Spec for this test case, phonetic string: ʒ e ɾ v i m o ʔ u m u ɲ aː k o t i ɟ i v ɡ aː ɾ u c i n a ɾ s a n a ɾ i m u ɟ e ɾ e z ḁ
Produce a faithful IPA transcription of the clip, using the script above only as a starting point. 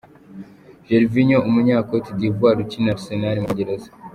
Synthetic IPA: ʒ e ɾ v i ɲ o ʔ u m u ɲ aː k o t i d i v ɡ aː ɾ u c i n a ɾ s e n a ɾ i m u ɟ e ɾ e z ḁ